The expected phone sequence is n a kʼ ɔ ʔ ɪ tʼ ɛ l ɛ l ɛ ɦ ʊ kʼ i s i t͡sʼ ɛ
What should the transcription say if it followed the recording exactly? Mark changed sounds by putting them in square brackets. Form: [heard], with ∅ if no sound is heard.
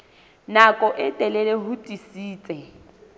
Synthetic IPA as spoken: n a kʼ ɔ ʔ ɪ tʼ ɛ l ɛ l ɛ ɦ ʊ [tʼ] i s [iː] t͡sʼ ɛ